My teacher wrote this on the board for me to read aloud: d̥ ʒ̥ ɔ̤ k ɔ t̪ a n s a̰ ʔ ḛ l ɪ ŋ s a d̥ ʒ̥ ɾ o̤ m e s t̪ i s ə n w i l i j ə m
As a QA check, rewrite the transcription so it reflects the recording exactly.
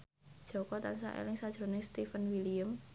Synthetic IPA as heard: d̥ ʒ̥ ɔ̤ k ɔ t̪ a n s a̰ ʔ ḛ l ɪ ŋ s a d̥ ʒ̥ ɾ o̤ n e s t̪ i f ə n w i l i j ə m